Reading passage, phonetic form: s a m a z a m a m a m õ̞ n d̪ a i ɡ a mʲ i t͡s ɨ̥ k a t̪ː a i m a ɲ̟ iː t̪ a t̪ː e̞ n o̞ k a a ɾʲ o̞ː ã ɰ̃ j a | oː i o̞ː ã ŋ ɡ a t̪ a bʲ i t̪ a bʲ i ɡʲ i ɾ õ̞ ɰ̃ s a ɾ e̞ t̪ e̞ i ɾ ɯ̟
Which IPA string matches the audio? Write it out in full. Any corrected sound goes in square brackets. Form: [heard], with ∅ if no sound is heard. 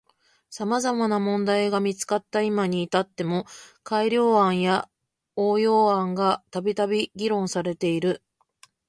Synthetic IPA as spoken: s a m a z a m a [n] a m õ̞ n d̪ a i ɡ a mʲ i t͡s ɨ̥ k a t̪ː a i m a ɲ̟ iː t̪ a t̪ː e̞ [m] o̞ k a [i] ɾʲ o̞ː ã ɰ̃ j a | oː [j] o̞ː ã ŋ ɡ a t̪ a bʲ i t̪ a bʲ i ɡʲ i ɾ õ̞ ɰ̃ s a ɾ e̞ t̪ e̞ i ɾ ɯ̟